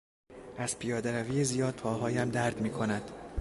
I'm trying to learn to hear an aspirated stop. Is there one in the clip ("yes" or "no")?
yes